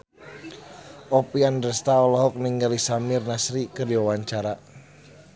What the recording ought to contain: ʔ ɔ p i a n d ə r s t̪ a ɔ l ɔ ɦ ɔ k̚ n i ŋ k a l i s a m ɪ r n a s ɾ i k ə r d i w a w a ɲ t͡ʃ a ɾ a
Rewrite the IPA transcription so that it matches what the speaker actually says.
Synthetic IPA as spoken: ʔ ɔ p i a n d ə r s t̪ a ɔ l ɔ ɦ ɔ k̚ n i ŋ ɡ a l i s a m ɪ r n a s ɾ i k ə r d i w a w a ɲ t͡ʃ a ɾ a